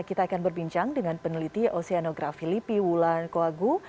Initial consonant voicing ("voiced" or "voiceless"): voiceless